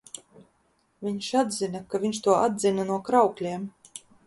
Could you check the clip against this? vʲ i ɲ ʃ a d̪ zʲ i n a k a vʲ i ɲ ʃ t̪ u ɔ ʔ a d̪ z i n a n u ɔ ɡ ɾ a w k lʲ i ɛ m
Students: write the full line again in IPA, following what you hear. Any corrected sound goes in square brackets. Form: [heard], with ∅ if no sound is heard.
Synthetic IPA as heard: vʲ i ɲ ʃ a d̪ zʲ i n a k a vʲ i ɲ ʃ t̪ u ɔ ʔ a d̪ z i n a n u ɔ [k] ɾ a w k lʲ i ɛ m